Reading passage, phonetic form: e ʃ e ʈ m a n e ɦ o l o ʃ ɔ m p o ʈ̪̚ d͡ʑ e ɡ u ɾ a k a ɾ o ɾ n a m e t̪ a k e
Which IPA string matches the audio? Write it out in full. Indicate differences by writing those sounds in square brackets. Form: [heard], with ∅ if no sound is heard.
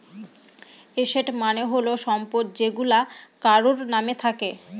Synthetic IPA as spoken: e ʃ e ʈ m a n e ɦ o l o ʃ ɔ m p o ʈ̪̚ d͡ʑ e ɡ u [l] a k a ɾ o ɾ n a m e [t̪ʰ] a k e